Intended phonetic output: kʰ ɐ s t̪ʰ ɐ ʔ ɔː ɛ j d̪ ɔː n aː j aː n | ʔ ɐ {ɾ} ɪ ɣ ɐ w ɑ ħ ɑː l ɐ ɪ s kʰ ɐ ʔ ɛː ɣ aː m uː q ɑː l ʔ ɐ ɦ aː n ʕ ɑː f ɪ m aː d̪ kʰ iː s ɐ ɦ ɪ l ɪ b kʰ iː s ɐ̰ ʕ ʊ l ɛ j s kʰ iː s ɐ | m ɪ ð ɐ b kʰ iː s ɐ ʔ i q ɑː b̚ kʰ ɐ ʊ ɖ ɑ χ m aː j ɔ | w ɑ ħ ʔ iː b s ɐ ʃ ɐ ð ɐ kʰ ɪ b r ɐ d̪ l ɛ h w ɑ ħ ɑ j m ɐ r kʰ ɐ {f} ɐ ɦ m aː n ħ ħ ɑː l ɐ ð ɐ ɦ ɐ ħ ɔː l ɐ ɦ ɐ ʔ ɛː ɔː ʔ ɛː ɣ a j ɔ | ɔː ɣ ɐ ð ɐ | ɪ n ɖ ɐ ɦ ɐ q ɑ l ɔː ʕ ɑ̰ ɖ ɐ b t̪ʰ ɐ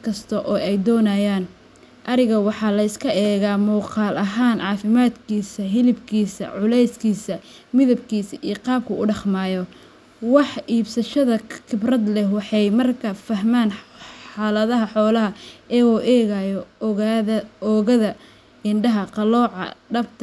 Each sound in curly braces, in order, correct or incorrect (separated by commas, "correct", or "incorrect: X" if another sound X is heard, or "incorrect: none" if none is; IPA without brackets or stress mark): correct, correct